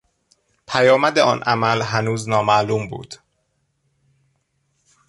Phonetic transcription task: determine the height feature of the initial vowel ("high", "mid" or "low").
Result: low